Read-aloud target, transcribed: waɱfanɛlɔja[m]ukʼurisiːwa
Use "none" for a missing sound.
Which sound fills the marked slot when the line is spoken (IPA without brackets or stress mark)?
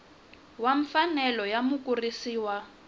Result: m